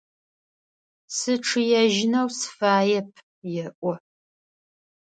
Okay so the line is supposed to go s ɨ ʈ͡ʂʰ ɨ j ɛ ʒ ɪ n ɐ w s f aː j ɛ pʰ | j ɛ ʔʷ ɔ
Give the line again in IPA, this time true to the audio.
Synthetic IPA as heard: s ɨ ʈ͡ʂʰ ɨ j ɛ ʒ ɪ n ɐ w s f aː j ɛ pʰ | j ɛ ʔʷ ɔ